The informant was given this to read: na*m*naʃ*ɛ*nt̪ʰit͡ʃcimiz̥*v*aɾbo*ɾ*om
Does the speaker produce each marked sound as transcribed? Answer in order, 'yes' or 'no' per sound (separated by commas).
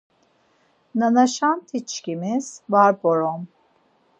no, no, yes, yes